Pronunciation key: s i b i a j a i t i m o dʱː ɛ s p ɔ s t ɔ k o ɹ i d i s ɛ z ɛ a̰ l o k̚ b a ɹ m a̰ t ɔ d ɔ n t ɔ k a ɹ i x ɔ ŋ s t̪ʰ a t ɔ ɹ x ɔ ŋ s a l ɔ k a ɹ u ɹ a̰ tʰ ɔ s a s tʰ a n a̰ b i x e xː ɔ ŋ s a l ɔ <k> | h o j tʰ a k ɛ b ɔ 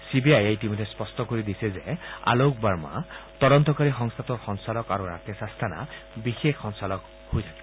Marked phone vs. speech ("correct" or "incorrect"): correct